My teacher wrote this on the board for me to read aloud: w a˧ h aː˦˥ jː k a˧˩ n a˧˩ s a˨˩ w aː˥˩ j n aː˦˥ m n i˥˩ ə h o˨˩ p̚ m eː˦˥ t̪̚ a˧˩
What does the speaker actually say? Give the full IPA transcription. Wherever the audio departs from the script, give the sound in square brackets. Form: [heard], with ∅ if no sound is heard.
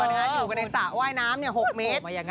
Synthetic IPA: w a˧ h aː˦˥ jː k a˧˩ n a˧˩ s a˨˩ w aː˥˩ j n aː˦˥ m n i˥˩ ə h o˨˩ [k̚] m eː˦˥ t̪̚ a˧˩

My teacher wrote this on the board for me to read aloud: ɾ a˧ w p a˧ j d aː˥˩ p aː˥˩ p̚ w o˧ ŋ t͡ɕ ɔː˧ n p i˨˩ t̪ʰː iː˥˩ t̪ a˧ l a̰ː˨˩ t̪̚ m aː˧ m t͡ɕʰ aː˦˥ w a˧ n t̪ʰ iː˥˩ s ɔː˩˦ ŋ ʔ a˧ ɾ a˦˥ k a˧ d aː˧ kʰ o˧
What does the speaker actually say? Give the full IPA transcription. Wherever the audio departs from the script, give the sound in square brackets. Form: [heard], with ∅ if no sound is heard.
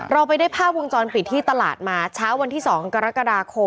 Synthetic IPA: ɾ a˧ w p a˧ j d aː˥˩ [pʰ] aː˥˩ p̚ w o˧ ŋ t͡ɕ ɔː˧ n p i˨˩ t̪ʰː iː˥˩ t̪ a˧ l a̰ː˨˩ t̪̚ m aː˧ [∅] t͡ɕʰ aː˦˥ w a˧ n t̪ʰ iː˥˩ s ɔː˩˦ ŋ [k] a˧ ɾ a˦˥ k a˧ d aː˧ kʰ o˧

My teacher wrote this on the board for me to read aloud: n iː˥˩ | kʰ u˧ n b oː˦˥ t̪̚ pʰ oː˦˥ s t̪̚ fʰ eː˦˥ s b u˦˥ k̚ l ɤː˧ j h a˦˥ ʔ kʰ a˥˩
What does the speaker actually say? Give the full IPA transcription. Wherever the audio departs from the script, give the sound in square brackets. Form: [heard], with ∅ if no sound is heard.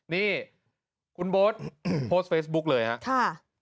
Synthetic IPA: n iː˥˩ | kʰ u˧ n b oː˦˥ t̪̚ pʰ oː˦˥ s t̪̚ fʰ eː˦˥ s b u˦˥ k̚ l ɤː˧ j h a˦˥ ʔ kʰ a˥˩

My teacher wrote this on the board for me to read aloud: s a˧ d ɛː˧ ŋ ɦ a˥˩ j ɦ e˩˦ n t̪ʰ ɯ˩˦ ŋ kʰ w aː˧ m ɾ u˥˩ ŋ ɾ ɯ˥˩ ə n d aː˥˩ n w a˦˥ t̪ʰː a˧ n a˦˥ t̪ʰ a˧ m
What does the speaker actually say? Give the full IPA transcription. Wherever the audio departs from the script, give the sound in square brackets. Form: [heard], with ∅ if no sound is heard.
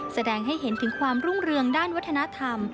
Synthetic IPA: s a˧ d ɛː˧ ŋ ɦ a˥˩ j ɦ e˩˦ n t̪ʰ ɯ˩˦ ŋ kʰ w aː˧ m ɾ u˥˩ ŋ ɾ [ɯ˧] ə [ŋ] d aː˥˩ n w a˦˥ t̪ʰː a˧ n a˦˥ t̪ʰ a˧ m

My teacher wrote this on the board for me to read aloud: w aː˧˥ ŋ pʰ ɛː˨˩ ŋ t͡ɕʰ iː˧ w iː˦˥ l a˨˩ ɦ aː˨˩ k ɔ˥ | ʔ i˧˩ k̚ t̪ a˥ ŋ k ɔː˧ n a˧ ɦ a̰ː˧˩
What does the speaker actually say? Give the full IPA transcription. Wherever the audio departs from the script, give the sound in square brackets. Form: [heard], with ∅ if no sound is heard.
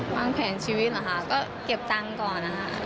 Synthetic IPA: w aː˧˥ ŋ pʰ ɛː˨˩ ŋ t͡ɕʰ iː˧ w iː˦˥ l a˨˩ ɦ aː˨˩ k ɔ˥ | [k] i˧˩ [p̚] t̪ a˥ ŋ k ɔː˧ n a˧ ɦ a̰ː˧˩

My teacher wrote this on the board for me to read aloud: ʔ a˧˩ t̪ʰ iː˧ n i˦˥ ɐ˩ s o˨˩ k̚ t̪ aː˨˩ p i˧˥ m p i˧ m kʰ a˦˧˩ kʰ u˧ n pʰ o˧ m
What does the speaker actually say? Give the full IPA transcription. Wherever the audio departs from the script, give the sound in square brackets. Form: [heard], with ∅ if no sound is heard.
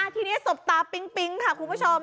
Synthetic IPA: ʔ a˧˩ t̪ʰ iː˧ n i˦˥ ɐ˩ s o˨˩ [p̚] t̪ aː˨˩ p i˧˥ [ŋ] p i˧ [ŋ] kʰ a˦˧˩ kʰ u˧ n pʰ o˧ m

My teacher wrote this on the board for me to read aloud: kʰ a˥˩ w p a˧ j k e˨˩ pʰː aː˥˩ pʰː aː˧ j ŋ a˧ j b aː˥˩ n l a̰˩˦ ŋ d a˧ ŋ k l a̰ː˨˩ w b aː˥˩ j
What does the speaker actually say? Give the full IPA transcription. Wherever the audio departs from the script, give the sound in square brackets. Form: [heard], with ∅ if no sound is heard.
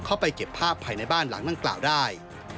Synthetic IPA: kʰ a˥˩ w p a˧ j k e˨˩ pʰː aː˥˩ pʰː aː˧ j [n] a˧ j b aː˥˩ n l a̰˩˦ ŋ d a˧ ŋ k l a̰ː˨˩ w [d] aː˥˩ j

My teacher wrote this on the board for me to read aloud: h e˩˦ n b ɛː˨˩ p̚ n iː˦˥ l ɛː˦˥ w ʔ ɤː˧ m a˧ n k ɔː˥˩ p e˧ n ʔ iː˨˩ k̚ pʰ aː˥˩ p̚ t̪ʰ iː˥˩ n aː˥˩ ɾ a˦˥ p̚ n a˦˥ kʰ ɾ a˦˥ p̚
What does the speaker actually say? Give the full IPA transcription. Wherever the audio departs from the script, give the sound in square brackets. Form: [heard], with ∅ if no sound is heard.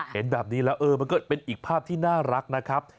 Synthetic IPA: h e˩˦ n b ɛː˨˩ p̚ n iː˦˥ l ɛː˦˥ w ʔ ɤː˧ m a˧ n k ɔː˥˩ p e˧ n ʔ iː˨˩ k̚ pʰ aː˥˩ p̚ t̪ʰ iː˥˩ n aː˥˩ ɾ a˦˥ [k̚] n a˦˥ kʰ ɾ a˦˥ p̚

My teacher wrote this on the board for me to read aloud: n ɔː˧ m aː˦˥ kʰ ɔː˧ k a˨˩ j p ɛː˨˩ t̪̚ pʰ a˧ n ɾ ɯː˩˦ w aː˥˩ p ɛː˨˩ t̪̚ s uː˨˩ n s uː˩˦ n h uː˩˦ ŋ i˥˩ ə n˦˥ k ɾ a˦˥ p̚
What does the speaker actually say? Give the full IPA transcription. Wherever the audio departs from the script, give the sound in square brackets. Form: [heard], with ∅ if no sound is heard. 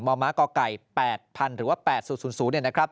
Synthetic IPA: [m] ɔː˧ m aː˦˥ [k] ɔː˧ k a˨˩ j p ɛː˨˩ t̪̚ pʰ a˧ n ɾ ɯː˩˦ w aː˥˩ p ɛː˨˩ t̪̚ s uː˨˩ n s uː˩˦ n [s] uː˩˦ [n] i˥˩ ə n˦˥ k ɾ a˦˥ p̚

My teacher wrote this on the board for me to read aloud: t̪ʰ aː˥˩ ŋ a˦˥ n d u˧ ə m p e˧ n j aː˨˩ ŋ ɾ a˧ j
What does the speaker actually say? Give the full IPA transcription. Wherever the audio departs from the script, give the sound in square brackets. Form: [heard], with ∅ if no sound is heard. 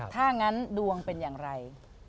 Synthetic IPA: t̪ʰ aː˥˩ ŋ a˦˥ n d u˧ ə [ŋ] p e˧ n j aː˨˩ ŋ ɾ a˧ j

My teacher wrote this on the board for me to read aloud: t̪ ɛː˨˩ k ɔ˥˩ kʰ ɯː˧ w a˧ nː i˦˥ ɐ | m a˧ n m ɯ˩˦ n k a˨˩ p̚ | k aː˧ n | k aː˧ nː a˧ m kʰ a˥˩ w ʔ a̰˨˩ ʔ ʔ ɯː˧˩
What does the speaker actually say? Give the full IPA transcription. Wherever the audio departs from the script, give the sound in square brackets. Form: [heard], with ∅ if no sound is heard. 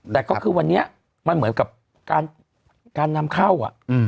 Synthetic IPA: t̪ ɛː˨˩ k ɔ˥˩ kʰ ɯː˧ w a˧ nː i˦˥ ɐ | m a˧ n m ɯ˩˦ n k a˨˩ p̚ | k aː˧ n | k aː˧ nː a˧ m kʰ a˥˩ w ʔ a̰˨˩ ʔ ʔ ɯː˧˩

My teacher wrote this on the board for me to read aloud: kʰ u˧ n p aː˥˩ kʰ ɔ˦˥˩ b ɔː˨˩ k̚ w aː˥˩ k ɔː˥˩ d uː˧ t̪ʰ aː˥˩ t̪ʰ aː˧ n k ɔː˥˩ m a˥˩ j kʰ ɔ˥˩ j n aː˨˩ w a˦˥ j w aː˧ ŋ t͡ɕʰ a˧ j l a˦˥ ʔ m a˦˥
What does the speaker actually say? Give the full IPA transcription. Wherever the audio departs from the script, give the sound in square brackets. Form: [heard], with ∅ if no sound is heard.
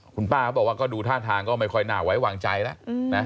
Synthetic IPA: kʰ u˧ n p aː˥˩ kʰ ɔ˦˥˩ b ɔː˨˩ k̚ w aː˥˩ k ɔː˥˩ d uː˧ t̪ʰ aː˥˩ t̪ʰ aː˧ [ŋ] k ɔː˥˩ m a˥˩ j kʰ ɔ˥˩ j n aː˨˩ w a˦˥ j w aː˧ ŋ [t͡ɕ] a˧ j l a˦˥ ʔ [n] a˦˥

